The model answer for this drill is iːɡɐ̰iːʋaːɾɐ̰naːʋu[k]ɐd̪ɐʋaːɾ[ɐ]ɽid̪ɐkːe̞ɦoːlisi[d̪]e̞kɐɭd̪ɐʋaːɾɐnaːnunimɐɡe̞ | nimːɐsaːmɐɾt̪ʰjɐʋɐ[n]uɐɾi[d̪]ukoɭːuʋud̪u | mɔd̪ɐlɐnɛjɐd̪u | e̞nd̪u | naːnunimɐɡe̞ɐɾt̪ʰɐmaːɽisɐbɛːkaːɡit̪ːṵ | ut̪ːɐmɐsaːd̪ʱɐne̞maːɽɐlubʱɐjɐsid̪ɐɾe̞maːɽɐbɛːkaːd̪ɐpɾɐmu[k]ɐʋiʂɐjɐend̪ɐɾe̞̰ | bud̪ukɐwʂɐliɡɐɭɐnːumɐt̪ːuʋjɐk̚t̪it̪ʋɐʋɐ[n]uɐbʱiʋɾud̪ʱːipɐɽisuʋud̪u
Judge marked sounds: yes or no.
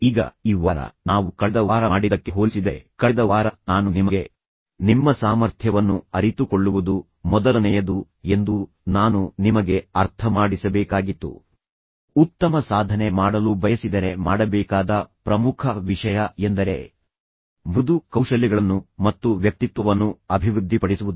yes, no, yes, no, no, no, no

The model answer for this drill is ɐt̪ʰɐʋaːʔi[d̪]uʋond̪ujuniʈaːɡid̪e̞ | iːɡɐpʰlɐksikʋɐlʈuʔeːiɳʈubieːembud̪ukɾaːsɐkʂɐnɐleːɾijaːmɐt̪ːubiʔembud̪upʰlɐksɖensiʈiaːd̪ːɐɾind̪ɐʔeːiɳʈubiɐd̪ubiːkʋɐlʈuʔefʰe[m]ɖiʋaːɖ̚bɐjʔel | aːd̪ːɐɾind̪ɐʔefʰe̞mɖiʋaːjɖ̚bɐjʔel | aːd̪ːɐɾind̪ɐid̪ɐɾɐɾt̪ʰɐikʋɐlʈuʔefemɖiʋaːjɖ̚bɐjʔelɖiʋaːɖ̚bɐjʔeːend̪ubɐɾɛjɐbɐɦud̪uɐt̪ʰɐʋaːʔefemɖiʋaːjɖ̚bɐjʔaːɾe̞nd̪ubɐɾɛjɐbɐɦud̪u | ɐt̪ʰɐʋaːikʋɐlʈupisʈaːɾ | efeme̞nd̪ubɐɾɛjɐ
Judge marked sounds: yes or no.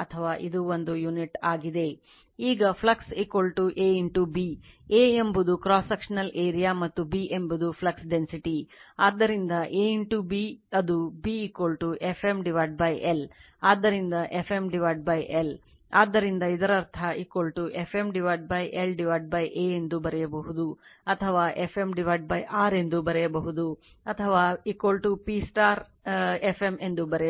yes, yes

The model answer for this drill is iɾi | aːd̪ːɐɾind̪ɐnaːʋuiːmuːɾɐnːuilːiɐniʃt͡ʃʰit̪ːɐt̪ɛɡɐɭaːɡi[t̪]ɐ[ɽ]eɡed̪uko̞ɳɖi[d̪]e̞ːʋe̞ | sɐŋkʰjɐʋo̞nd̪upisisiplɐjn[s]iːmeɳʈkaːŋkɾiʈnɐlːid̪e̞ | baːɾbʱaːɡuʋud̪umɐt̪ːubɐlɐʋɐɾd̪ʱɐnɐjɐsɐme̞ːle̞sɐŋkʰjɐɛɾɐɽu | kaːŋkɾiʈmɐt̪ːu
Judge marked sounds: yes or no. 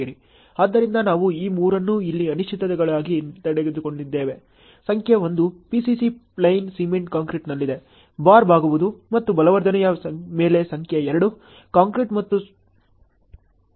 yes, yes, no, yes

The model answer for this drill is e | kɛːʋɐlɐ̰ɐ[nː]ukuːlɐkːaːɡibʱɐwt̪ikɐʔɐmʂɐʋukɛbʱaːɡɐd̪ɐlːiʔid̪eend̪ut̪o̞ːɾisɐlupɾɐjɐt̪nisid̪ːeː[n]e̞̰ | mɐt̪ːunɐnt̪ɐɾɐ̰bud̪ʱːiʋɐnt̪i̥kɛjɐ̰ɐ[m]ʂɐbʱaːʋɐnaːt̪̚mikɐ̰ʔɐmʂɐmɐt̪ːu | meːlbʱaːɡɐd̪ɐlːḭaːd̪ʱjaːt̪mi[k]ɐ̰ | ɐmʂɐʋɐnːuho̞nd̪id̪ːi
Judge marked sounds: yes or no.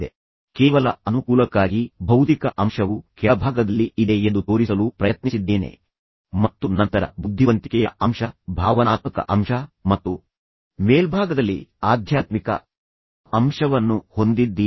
no, yes, yes, yes

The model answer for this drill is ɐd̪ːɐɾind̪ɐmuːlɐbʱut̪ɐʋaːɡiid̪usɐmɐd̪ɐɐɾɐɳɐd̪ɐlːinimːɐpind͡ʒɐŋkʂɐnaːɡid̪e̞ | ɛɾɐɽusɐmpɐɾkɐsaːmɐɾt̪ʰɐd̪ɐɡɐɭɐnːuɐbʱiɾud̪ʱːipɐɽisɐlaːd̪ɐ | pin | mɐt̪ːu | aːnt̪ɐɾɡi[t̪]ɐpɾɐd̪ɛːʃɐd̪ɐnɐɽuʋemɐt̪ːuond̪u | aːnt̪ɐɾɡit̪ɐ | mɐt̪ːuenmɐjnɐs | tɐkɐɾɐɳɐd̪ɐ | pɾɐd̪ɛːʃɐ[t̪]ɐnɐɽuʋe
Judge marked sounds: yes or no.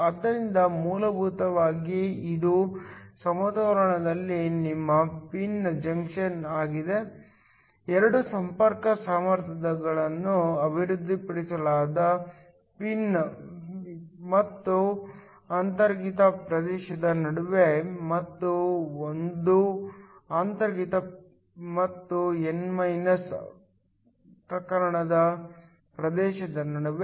yes, no

